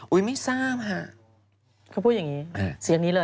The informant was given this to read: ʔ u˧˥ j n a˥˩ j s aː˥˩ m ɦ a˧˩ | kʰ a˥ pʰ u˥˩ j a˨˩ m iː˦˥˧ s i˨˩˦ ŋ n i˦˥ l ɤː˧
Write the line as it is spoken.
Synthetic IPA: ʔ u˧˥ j m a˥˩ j s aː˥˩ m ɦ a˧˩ | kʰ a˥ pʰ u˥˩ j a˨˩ ŋ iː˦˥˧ s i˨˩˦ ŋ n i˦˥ l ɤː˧